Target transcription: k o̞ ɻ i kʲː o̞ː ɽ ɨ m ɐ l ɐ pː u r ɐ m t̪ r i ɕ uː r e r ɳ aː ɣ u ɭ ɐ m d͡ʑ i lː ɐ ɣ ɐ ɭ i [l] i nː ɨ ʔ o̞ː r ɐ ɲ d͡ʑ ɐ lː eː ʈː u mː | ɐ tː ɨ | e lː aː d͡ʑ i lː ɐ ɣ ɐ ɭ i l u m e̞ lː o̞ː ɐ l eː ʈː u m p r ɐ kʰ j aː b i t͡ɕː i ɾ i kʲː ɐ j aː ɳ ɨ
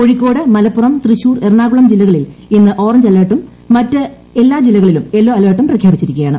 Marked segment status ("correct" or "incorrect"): correct